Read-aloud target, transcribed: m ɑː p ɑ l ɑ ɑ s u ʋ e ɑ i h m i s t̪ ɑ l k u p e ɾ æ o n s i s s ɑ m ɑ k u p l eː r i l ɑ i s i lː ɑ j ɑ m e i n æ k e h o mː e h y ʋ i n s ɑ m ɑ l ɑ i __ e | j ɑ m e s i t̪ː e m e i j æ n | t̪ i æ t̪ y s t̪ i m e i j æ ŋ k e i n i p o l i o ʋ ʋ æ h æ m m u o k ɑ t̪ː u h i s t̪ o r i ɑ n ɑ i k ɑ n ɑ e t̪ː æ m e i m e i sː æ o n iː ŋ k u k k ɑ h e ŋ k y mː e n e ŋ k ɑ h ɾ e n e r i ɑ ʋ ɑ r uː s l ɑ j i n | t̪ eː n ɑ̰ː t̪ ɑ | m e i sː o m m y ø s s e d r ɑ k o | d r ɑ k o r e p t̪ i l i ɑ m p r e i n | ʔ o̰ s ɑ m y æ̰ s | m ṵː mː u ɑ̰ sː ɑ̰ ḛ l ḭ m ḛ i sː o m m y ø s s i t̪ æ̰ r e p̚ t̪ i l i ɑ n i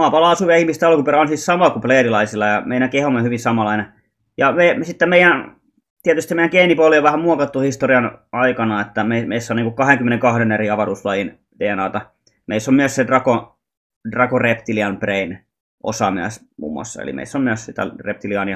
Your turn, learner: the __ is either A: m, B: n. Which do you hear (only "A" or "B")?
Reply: B